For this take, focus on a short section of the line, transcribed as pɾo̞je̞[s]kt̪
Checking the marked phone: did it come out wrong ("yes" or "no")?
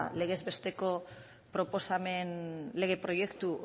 yes